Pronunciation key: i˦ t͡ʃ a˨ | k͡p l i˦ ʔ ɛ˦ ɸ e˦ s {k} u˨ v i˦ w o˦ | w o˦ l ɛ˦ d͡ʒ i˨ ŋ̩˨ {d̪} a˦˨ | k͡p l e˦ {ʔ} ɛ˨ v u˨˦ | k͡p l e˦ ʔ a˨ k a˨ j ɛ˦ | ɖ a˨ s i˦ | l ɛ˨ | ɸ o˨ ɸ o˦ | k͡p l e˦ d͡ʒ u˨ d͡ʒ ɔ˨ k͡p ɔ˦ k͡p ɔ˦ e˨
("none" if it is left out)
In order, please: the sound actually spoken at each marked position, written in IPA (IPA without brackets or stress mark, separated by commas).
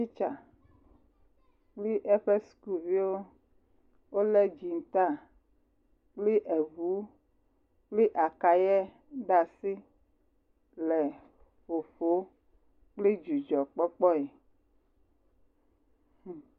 k, t̪, ʔ